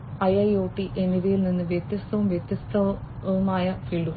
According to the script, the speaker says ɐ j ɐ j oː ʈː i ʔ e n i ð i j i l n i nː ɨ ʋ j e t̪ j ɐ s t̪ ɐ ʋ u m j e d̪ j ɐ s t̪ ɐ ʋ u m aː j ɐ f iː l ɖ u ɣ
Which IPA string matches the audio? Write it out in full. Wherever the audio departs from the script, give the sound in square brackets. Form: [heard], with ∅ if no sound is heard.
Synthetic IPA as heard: ɐ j ɐ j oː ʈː i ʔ e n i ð i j i l n i nː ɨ ʋ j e t̪ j ɐ s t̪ ɐ ʋ u m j e [t̪] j ɐ s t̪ ɐ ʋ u m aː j ɐ f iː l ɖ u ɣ